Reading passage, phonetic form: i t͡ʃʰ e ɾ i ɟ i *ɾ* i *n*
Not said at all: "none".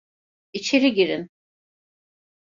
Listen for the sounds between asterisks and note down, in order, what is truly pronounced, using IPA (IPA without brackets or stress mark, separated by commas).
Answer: ɾ, n